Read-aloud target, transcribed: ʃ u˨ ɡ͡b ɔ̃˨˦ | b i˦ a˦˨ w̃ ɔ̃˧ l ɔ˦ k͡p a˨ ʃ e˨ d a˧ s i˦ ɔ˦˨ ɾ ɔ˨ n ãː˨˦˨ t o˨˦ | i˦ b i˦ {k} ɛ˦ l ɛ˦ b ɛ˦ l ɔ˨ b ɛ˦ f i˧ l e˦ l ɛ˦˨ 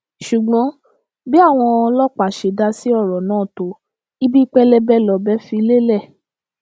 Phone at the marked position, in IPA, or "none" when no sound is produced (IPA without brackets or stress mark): k͡p